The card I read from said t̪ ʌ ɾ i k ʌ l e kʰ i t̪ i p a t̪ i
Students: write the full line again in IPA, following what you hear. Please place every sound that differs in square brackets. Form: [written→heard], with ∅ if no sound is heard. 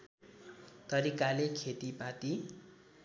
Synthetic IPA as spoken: t̪ ʌ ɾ i k [ʌ→a] l e kʰ [i→e] t̪ i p a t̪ i